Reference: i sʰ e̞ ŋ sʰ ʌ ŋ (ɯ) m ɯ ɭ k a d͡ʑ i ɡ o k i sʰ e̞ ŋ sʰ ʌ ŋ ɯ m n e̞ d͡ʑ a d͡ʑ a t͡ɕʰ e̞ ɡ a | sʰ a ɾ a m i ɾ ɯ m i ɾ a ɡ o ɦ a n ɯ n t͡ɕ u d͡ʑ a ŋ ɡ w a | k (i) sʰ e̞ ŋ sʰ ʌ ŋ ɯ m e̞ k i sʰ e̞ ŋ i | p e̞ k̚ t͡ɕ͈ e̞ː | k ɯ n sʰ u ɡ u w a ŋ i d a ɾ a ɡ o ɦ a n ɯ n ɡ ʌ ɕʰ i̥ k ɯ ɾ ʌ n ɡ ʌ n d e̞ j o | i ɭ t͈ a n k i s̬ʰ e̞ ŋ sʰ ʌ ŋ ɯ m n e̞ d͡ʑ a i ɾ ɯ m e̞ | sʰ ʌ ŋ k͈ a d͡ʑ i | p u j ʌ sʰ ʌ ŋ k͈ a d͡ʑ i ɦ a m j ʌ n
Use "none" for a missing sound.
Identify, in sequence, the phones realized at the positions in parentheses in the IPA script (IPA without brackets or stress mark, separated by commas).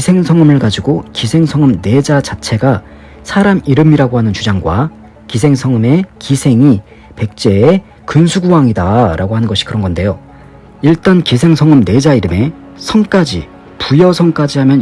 ɯ, i